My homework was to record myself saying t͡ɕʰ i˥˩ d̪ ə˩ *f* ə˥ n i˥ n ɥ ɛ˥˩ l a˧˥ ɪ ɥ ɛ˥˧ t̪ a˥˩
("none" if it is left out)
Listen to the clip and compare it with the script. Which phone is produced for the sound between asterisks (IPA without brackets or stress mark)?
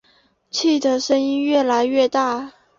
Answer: ʂ